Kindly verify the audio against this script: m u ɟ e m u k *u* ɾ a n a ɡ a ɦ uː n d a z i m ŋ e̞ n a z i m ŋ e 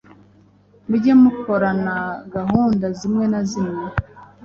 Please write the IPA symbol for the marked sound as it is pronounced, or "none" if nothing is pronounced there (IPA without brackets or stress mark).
o